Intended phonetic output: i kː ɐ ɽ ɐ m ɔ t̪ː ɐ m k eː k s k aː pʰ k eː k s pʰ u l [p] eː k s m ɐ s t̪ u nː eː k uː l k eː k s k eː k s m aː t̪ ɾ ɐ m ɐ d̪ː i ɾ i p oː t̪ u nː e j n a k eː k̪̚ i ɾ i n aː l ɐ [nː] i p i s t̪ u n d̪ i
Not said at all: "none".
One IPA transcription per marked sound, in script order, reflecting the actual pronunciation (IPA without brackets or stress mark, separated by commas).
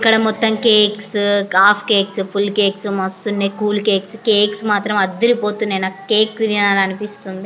k, n